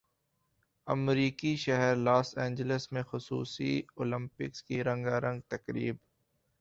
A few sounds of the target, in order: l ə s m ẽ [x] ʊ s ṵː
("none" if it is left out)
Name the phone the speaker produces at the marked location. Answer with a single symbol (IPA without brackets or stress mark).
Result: x